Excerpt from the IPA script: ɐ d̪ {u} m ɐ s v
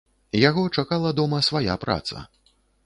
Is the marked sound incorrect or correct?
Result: incorrect